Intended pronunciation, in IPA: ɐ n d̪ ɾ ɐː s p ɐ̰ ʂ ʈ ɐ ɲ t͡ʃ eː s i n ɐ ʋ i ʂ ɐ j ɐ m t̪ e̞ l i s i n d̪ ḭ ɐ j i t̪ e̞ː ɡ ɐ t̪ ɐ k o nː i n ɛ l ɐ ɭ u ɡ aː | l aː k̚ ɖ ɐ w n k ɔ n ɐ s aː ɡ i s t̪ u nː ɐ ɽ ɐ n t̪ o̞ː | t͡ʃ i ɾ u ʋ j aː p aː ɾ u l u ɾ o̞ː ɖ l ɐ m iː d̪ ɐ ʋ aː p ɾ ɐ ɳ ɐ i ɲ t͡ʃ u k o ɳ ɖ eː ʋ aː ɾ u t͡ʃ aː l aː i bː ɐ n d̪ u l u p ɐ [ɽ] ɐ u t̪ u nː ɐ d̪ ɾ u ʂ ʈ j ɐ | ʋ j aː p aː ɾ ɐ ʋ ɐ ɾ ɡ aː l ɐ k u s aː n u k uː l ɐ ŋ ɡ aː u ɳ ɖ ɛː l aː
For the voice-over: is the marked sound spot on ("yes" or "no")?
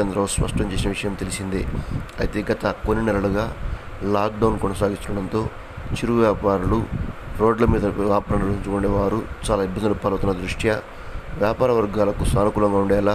no